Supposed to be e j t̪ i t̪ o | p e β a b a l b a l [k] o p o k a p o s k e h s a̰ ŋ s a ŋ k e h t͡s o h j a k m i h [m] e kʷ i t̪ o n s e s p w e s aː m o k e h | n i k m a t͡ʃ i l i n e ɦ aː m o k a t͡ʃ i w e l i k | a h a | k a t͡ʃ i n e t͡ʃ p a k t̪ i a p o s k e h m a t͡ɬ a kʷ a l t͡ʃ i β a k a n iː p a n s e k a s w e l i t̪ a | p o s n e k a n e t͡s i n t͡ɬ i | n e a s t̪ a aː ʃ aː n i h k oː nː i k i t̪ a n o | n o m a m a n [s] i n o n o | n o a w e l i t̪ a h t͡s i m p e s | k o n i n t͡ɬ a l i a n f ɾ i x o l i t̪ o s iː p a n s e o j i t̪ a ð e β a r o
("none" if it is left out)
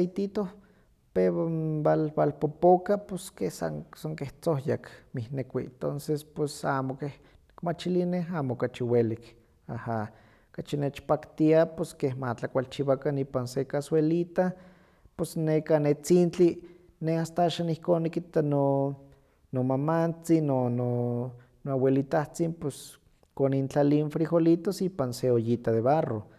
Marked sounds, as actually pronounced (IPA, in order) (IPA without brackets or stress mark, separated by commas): p, n, t͡s